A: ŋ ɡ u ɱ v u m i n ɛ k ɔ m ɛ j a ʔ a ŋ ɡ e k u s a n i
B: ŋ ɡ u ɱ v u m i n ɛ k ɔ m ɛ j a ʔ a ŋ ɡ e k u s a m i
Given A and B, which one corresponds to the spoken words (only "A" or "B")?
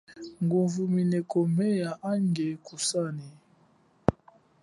A